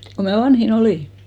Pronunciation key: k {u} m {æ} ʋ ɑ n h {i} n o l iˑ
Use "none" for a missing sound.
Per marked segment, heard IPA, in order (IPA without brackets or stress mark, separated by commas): o, æ, i